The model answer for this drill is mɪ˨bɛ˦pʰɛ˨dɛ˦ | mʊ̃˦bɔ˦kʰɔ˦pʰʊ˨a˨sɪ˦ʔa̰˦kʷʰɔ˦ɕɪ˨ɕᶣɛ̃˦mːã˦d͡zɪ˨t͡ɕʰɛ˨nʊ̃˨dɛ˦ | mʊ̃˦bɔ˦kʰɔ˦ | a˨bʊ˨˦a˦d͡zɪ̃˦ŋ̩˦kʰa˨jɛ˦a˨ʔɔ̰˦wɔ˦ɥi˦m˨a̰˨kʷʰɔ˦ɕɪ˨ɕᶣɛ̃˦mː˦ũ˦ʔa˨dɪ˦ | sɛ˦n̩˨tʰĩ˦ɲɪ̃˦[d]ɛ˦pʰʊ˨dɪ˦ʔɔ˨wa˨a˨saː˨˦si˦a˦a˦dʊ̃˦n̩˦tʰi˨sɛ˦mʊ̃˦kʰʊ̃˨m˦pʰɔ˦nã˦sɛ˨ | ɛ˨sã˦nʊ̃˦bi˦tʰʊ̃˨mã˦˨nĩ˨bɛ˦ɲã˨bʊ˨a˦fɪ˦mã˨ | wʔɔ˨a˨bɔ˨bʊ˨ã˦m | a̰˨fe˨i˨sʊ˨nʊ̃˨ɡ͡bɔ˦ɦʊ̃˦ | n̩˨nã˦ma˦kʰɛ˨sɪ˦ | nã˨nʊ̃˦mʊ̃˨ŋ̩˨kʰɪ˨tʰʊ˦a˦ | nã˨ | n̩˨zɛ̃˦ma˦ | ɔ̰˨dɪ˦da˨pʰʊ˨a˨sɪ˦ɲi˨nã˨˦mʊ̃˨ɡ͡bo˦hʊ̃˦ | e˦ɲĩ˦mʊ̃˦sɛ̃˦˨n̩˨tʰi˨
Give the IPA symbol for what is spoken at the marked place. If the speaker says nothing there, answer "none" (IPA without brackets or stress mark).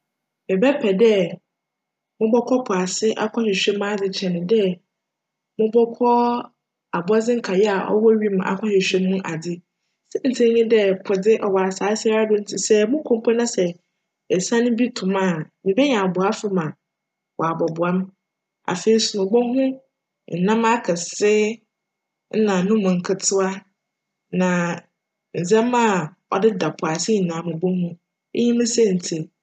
d